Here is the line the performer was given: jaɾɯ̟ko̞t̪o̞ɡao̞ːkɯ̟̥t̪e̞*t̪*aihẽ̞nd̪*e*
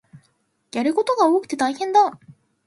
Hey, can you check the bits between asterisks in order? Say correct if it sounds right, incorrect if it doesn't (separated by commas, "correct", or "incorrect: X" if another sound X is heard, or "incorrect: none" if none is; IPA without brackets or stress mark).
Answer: correct, incorrect: a